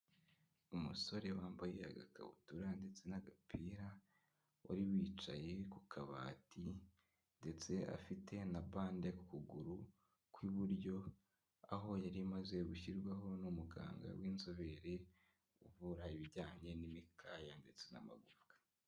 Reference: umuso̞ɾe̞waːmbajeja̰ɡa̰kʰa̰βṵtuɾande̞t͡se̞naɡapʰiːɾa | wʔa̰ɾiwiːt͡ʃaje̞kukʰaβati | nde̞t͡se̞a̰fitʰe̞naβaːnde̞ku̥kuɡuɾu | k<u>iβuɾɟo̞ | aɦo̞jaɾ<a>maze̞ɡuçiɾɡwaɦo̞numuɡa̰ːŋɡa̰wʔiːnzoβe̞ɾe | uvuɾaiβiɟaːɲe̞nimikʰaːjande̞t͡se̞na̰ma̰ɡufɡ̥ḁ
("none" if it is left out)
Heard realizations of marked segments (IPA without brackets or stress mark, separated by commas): w, i